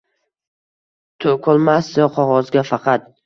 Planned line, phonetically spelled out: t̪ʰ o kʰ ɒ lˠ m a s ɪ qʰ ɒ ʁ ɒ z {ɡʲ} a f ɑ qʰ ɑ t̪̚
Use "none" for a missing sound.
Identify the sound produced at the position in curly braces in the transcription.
ɡʲ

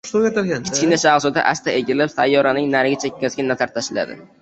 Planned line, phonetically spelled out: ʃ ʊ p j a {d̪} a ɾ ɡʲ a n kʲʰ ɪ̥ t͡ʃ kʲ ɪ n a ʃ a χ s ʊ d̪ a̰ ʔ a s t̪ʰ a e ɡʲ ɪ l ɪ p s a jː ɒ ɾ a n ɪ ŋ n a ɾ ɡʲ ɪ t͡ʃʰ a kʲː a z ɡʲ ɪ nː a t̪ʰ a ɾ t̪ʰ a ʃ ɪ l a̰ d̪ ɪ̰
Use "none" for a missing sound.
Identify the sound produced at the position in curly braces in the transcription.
t̪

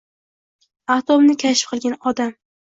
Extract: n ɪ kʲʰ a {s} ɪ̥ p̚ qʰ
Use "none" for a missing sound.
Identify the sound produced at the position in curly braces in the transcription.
ʃ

